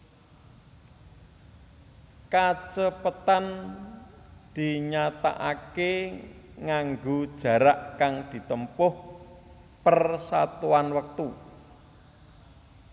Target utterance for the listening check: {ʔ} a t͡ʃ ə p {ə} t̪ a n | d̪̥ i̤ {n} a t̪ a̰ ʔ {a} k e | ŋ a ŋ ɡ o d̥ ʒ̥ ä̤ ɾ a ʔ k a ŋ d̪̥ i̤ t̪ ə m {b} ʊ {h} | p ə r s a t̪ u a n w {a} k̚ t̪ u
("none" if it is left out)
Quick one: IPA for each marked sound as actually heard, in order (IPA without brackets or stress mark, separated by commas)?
k, ə, ɲ, a, p, h, ə